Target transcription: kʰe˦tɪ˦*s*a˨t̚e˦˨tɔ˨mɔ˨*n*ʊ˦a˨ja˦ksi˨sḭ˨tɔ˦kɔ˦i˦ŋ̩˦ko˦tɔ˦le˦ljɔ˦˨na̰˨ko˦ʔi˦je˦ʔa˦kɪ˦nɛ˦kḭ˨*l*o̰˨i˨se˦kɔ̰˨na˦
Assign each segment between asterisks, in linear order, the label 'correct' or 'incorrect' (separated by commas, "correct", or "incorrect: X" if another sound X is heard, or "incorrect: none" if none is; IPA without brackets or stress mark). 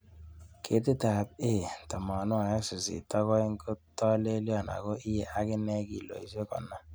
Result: incorrect: t, correct, correct